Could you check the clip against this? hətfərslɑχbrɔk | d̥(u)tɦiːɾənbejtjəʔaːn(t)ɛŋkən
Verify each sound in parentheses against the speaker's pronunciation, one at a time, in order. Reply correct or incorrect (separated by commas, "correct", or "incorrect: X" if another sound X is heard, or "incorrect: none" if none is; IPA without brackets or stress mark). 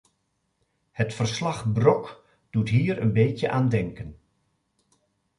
correct, incorrect: d